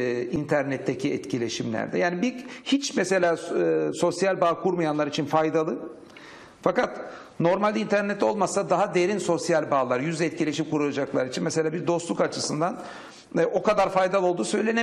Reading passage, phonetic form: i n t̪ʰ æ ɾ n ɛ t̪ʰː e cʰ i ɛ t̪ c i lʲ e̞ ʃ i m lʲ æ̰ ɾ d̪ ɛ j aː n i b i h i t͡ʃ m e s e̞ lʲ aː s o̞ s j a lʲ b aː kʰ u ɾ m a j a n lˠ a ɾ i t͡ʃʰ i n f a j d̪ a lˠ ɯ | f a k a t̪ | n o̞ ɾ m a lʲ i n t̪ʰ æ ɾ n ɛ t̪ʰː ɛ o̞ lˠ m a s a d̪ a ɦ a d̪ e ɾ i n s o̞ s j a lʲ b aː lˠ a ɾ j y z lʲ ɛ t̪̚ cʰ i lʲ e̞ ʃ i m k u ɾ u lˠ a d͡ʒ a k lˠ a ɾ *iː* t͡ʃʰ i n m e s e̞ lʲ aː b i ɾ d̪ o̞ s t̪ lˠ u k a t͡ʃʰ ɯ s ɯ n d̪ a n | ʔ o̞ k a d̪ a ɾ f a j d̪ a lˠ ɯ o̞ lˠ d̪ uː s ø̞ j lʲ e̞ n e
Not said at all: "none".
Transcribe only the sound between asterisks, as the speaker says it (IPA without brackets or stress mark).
i